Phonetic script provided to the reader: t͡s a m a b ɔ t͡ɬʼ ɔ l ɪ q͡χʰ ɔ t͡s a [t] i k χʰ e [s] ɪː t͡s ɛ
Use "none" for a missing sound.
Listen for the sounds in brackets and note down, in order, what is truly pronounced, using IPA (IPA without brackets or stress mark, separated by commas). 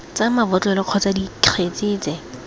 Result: d, t͡s